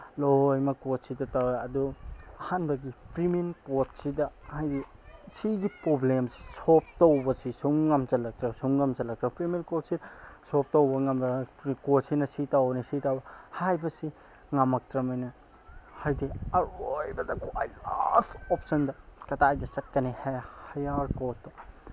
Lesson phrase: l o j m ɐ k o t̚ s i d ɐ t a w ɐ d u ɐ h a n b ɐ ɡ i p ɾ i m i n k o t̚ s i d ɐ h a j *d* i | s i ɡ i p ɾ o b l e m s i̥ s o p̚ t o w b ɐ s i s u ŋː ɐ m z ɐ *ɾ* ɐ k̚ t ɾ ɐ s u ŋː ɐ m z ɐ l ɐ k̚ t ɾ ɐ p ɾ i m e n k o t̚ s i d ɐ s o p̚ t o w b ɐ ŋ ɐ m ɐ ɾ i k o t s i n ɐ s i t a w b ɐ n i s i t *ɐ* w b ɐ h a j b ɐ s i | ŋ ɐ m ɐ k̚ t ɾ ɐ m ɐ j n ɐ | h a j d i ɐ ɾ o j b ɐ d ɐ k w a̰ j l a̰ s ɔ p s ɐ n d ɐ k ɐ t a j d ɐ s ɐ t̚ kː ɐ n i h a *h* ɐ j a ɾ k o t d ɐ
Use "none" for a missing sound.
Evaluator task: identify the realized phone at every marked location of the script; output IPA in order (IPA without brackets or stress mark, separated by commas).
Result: d, l, a, h